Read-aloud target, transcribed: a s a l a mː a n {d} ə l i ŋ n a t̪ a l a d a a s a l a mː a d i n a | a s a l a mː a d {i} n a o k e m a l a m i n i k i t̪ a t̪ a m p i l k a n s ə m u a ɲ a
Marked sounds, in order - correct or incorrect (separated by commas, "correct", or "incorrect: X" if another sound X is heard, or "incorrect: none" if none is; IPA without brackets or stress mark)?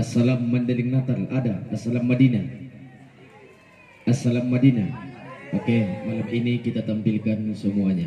correct, correct